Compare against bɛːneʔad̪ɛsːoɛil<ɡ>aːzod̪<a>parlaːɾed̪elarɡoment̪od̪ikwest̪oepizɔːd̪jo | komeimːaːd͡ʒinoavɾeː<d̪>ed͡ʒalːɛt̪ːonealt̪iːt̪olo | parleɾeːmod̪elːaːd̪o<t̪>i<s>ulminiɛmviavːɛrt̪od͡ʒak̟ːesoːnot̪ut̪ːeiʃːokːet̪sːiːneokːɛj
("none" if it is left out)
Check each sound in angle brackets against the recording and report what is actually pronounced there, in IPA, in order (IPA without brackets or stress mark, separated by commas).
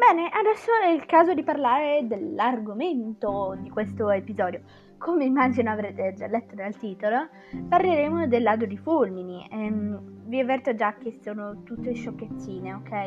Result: k, i, t̪, d̪, f